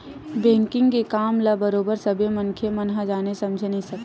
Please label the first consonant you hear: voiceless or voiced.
voiced